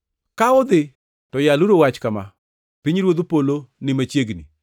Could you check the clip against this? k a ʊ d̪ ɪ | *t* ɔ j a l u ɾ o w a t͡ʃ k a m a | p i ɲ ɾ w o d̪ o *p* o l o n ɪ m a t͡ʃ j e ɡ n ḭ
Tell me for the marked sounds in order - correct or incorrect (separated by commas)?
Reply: correct, correct